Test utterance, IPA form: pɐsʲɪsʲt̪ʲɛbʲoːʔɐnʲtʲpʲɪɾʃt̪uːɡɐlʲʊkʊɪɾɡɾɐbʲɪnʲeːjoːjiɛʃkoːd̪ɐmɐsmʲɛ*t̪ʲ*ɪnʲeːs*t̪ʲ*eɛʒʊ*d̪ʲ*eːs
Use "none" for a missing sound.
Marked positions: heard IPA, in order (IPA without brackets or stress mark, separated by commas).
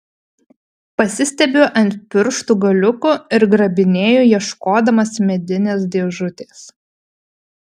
d̪ʲ, d̪ʲ, t̪ʲ